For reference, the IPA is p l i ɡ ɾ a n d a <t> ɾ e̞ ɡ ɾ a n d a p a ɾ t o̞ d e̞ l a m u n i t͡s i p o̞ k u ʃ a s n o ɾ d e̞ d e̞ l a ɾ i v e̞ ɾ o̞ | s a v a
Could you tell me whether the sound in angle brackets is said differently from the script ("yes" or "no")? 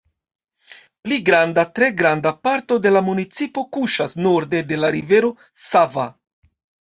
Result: no